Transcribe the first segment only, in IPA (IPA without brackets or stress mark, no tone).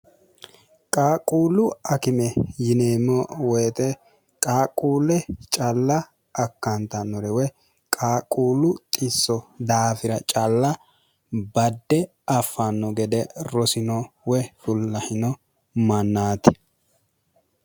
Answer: kʼ